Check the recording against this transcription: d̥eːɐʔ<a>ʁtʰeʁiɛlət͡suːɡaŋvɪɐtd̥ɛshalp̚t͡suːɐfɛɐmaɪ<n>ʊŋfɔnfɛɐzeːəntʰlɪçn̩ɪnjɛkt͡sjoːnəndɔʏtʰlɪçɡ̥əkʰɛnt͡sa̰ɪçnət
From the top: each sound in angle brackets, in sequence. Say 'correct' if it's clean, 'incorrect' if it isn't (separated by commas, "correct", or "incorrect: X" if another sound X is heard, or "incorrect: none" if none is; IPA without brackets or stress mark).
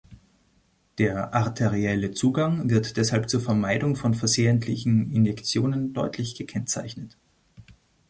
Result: correct, incorrect: d